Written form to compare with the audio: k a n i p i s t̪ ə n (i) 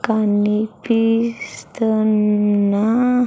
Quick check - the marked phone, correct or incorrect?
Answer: incorrect